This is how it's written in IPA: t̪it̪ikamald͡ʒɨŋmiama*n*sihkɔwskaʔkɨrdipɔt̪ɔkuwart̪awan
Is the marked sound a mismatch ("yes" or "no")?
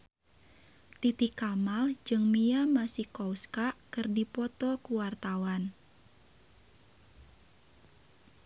yes